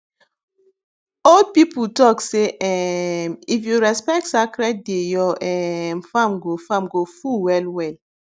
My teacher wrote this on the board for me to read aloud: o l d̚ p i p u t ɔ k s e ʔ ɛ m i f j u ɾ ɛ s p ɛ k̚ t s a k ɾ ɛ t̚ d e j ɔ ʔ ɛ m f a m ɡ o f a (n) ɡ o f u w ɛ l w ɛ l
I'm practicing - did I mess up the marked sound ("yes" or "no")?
yes